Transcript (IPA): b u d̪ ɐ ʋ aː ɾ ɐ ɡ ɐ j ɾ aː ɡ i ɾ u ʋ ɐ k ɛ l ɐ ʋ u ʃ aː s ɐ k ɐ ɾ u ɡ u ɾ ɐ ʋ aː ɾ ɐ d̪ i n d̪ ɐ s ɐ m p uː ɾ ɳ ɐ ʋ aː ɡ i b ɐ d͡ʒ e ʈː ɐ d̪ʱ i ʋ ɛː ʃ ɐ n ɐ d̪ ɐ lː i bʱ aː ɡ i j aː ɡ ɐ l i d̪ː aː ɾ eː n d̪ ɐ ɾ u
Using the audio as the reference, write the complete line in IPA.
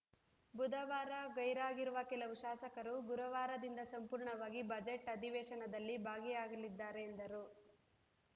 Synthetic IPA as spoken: b u d̪ ɐ ʋ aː ɾ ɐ ɡ ɐ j ɾ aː ɡ i ɾ u ʋ ɐ k ɛ l ɐ ʋ u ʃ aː s ɐ k ɐ ɾ u ɡ u ɾ ɐ ʋ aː ɾ ɐ d̪ i n d̪ ɐ s ɐ m p uː ɾ ɳ ɐ ʋ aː ɡ i b ɐ d͡ʒ e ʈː ɐ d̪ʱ i ʋ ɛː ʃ ɐ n ɐ d̪ ɐ lː i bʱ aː ɡ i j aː ɡ ɐ l i d̪ː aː ɾ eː n d̪ ɐ ɾ u